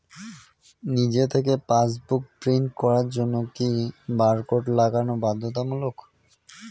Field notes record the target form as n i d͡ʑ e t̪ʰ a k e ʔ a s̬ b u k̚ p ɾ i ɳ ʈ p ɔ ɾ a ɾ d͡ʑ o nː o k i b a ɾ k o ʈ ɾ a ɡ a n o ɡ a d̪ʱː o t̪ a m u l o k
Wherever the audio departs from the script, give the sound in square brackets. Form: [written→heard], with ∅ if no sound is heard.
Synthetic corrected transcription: n i d͡ʑ e t̪ʰ [a→e] k e [ʔ→p] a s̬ b u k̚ p ɾ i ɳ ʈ [p→k] ɔ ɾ a ɾ d͡ʑ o nː o k i b a ɾ k o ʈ [ɾ→l] a ɡ a n o [ɡ→b] a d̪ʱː o t̪ a m u l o k